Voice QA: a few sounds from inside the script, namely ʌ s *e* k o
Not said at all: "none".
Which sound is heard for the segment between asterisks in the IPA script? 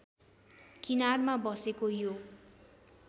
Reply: e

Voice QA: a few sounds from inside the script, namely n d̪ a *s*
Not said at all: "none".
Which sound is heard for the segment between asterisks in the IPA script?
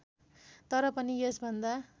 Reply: none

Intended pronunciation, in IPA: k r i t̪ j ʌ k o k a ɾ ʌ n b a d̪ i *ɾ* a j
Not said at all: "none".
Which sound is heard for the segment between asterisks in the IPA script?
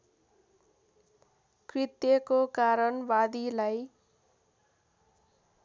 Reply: l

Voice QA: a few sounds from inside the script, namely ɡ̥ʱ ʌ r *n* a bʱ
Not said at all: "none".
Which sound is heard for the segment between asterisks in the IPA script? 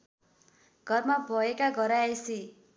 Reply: m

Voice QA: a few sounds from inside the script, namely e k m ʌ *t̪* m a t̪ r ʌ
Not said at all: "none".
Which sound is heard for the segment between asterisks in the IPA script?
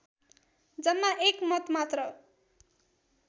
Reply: t̪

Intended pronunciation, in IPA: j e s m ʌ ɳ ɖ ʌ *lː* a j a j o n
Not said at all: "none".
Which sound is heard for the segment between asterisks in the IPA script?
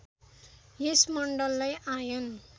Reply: lː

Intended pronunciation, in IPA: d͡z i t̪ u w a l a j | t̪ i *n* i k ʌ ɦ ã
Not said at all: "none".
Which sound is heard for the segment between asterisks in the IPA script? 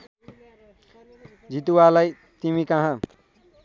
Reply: m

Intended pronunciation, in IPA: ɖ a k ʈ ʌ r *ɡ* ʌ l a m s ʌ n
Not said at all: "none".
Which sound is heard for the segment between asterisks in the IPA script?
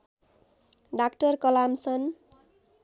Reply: k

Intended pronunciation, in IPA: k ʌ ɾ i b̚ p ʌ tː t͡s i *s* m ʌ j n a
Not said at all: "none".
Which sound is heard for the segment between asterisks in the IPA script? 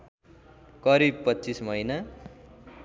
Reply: s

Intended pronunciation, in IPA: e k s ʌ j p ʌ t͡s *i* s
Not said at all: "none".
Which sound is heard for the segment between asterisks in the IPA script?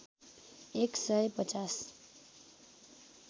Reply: a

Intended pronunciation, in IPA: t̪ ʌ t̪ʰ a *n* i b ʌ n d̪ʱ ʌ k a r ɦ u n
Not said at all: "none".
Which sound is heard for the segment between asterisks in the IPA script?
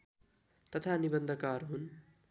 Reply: n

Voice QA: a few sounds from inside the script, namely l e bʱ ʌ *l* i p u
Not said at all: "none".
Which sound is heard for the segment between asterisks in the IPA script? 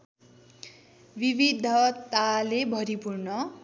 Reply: ɾ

